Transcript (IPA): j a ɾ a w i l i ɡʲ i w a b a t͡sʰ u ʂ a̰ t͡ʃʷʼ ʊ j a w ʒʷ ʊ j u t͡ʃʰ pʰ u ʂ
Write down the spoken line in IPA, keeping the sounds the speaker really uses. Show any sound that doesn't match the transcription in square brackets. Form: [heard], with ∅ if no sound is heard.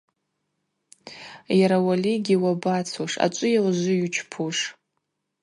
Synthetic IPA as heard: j a ɾ a w [a] l i ɡʲ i w a b a t͡sʰ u ʂ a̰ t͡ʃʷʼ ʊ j a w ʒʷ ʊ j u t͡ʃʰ pʰ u ʂ